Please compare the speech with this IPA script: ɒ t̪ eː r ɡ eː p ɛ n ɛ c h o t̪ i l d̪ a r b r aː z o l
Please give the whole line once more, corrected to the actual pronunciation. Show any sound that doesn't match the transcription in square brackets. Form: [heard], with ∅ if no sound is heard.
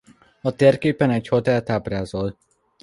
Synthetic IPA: ɒ t̪ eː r [k] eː p ɛ n ɛ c h o t̪ [ɛ] l [t̪] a [∅] b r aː z o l